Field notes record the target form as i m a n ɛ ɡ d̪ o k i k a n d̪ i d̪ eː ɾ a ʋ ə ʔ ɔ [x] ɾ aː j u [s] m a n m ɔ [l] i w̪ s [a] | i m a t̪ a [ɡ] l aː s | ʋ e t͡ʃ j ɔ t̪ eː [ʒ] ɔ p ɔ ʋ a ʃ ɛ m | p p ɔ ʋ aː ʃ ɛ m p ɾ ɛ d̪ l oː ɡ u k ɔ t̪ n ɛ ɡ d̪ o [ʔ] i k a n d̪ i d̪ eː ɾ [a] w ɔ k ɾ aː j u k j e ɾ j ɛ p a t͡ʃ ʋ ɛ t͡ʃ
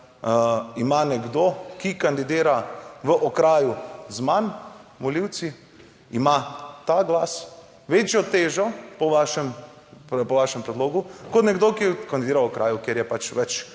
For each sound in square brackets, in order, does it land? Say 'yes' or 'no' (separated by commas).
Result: no, no, yes, no, yes, yes, no, yes